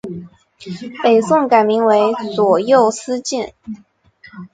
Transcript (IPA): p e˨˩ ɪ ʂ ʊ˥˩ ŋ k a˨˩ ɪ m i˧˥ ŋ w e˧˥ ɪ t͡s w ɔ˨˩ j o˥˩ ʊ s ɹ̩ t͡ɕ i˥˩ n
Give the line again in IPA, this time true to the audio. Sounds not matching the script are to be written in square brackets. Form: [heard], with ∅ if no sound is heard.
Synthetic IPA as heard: p e˨˩ ɪ [s] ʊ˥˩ ŋ k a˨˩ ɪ m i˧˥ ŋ w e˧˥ ɪ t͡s w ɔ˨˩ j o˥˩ ʊ s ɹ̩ t͡ɕ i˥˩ n